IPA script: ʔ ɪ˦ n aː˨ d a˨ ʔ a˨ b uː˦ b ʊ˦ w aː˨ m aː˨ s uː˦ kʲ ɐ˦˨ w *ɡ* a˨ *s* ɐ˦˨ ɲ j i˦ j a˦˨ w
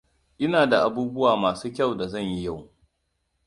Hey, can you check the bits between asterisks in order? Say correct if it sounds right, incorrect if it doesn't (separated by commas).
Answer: incorrect, incorrect